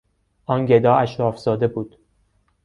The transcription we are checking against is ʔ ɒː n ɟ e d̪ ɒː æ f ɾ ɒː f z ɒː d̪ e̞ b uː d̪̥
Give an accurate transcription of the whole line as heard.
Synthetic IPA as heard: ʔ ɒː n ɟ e d̪ ɒː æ ʃ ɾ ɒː f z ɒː d̪ e̞ b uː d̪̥